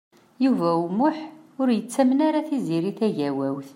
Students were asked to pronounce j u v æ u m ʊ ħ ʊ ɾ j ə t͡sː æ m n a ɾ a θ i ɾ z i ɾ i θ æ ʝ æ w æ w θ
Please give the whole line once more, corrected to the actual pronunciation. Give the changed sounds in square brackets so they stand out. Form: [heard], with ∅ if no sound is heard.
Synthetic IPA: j u v æ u m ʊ ħ ʊ ɾ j ə t͡sː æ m n a ɾ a θ i [∅] z i ɾ i θ æ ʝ æ w æ w θ